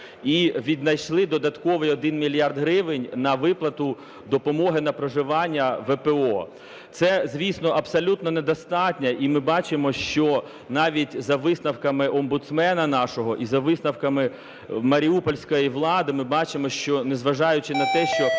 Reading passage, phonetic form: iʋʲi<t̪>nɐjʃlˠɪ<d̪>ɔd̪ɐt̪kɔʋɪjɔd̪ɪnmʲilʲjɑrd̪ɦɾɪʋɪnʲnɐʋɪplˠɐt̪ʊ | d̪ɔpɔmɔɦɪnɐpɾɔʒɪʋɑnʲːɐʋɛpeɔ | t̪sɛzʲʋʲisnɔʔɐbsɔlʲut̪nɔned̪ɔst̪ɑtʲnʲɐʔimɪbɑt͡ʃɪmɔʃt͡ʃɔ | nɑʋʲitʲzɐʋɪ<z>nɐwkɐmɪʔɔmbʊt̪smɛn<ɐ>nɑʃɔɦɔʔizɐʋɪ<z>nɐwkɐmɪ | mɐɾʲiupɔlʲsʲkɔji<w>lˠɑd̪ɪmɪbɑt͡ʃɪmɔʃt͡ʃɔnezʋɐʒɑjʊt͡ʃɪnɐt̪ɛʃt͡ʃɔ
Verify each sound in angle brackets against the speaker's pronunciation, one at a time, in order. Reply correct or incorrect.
incorrect, correct, incorrect, correct, incorrect, incorrect

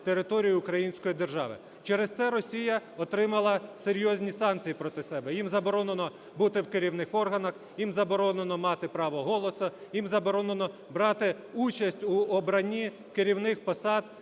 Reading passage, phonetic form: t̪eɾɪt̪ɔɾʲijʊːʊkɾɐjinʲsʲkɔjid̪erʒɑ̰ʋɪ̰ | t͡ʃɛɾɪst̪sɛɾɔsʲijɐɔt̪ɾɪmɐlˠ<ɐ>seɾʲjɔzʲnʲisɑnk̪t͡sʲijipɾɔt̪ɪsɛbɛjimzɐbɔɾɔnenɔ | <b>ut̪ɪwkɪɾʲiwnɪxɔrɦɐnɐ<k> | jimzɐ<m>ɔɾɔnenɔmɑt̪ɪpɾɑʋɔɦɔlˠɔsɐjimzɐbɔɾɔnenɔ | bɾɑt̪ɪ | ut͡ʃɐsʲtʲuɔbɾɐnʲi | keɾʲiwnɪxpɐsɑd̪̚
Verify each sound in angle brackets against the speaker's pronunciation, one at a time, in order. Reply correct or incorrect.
correct, correct, incorrect, incorrect

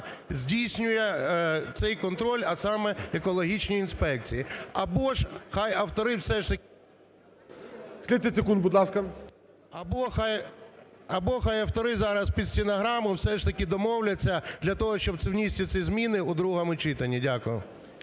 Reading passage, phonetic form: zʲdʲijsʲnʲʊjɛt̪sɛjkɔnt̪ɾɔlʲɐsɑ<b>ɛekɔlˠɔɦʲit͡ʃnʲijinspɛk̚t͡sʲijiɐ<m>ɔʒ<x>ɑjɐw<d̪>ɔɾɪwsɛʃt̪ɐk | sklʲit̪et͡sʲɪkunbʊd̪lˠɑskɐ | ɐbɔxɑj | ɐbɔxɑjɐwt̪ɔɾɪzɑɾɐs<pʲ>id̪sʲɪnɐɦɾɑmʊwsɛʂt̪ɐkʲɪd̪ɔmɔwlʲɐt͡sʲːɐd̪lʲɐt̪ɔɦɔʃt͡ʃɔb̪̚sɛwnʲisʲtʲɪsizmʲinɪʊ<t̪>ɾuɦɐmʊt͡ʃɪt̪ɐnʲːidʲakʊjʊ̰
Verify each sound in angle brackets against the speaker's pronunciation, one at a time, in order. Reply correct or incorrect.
incorrect, incorrect, correct, incorrect, correct, incorrect

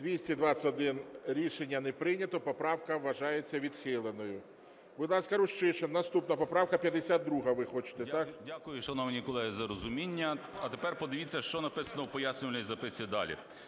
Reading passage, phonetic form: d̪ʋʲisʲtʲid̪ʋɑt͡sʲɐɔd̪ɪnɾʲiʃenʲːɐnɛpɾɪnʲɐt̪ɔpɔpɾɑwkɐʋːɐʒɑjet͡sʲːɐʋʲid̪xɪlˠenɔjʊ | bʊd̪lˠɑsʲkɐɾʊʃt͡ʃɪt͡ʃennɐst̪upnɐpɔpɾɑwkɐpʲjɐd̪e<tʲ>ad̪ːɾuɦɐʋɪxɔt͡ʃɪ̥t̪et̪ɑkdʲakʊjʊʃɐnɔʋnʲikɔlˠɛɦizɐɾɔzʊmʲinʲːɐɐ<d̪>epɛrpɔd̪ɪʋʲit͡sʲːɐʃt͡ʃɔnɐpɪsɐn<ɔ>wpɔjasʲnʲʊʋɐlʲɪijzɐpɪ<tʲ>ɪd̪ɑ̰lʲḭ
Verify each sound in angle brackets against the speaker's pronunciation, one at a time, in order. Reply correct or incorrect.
incorrect, incorrect, correct, incorrect

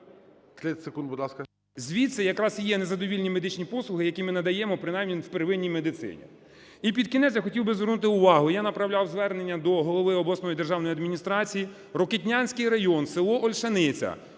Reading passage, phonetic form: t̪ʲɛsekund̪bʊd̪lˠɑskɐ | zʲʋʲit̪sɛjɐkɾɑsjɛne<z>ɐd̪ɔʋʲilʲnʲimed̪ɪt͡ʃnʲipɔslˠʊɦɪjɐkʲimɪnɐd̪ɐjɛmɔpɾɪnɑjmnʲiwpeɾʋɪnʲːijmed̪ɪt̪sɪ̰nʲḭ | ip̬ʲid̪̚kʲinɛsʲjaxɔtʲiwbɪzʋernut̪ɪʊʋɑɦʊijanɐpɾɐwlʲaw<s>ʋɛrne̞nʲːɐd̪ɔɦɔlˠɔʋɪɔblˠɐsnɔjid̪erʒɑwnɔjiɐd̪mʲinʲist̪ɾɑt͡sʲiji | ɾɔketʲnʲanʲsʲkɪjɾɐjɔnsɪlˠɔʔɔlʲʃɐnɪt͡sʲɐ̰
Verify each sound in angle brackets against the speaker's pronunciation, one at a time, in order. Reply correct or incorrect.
correct, incorrect

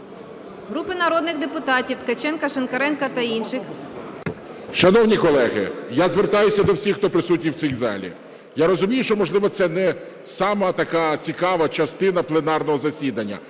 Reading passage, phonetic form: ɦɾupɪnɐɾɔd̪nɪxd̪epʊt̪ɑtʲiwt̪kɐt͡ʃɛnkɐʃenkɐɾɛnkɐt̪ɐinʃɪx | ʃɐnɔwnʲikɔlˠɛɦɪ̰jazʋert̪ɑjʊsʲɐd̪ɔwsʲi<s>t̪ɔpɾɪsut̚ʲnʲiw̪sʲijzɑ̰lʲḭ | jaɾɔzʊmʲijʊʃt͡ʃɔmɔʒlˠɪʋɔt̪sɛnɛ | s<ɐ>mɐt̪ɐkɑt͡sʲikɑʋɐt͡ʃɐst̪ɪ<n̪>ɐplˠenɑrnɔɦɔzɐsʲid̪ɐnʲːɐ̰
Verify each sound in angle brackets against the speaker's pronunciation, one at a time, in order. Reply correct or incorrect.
incorrect, incorrect, correct

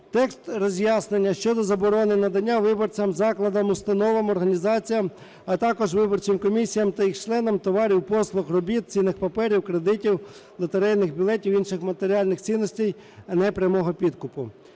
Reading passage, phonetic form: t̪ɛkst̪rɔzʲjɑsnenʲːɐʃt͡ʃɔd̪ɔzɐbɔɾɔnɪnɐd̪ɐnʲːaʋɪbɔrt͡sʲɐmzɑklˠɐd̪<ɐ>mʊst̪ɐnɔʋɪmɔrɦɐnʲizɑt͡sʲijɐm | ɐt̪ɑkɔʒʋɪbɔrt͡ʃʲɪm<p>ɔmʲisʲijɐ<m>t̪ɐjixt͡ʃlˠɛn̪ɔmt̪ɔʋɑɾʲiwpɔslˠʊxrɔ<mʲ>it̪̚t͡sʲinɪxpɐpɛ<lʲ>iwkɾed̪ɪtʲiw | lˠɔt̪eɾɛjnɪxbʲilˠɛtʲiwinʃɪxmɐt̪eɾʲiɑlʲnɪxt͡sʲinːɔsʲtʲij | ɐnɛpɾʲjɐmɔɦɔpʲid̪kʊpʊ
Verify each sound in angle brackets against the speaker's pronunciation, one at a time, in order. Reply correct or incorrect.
correct, incorrect, correct, incorrect, incorrect

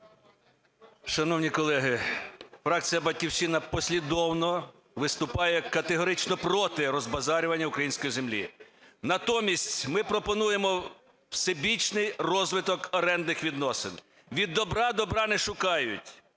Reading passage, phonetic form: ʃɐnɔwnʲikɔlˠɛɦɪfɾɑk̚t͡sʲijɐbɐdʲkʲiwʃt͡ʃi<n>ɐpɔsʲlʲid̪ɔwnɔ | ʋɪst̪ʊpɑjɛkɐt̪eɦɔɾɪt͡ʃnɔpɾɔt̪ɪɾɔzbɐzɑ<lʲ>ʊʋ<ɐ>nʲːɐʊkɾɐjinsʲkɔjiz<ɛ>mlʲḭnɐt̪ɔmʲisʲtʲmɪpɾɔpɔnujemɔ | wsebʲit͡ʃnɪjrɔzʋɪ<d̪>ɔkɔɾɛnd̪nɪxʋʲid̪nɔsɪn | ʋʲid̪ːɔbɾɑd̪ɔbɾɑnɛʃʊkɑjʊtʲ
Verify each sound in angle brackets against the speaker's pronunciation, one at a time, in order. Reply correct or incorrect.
correct, incorrect, correct, incorrect, incorrect

